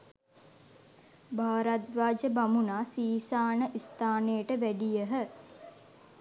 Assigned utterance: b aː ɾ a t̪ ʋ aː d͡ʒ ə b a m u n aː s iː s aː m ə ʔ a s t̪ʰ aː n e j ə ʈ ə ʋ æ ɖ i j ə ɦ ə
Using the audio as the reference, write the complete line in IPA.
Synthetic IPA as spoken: b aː ɾ a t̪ ʋ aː d͡ʒ ə b a m u n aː s iː s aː n ə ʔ i s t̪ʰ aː n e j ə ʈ ə ʋ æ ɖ i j ə ɦ ə